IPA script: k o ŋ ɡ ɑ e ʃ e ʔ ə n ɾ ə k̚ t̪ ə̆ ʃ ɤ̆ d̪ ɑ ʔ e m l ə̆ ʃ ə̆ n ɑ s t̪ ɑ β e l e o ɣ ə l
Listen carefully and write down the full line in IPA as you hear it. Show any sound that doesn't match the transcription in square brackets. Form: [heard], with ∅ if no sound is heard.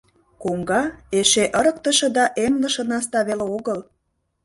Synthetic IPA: k o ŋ ɡ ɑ e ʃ e ʔ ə [∅] ɾ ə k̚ t̪ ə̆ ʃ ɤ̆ d̪ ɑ ʔ e m l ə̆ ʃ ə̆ n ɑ s t̪ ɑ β e l e o ɣ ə l